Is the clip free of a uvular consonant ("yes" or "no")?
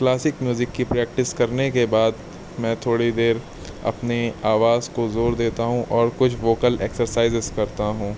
yes